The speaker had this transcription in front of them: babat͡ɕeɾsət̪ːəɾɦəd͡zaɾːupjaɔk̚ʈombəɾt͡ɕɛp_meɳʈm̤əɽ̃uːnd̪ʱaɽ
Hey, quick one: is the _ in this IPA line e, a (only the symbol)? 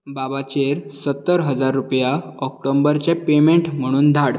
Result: e